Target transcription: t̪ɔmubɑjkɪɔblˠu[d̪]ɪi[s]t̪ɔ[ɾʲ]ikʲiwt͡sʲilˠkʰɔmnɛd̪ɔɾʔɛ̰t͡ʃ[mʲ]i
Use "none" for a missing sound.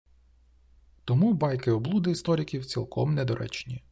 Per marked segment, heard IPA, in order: d̪, s, ɾʲ, nʲ

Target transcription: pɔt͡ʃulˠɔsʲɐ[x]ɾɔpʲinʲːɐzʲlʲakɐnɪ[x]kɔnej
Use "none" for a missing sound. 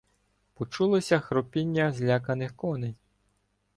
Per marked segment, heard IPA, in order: x, x

